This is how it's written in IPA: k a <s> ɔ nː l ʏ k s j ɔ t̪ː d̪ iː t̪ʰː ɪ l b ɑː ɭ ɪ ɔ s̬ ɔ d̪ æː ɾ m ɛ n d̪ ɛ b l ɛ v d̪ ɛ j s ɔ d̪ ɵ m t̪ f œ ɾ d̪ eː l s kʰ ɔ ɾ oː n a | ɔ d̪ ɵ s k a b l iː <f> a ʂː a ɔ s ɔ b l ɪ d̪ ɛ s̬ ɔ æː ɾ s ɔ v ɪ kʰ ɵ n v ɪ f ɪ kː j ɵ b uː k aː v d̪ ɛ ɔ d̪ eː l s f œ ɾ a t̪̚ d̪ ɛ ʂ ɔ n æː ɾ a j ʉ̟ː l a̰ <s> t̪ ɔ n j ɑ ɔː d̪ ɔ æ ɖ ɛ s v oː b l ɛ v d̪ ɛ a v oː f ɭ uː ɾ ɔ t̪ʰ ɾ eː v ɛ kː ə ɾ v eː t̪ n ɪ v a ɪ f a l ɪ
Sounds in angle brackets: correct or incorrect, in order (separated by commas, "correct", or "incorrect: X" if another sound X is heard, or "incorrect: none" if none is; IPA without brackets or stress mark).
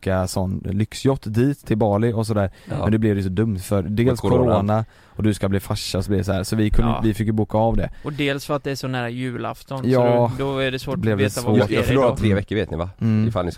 correct, correct, incorrect: f